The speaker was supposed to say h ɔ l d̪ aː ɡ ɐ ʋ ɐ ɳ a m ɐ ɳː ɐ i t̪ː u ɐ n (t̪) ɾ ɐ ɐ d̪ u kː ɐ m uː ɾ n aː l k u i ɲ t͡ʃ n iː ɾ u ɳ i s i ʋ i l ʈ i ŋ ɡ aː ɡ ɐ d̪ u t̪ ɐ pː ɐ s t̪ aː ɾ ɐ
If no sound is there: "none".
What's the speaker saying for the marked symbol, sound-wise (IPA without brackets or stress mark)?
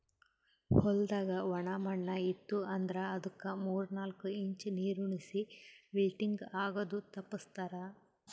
d̪